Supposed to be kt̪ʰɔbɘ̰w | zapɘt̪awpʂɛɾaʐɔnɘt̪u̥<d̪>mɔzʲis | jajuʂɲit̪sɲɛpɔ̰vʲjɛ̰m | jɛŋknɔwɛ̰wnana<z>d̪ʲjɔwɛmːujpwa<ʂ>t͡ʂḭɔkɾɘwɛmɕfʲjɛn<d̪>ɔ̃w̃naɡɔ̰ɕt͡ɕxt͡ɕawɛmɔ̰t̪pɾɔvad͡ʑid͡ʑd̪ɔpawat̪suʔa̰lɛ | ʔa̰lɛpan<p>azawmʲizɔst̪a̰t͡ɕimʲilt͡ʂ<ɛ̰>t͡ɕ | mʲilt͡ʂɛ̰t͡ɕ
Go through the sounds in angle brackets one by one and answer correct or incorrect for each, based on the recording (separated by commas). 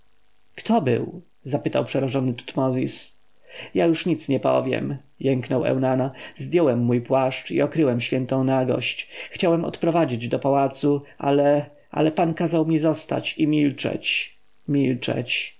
incorrect, correct, correct, incorrect, incorrect, correct